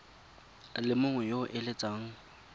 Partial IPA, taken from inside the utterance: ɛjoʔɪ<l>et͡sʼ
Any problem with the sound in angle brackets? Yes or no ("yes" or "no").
no